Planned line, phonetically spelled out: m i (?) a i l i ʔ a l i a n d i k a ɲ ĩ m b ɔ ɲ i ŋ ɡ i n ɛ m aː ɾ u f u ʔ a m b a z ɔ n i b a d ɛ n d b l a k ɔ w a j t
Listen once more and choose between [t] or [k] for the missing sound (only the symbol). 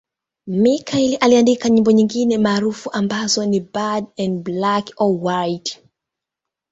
k